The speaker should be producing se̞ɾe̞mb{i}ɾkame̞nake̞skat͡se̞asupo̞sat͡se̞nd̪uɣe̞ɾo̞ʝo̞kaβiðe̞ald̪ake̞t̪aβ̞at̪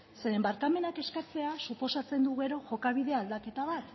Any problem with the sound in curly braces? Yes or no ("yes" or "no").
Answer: yes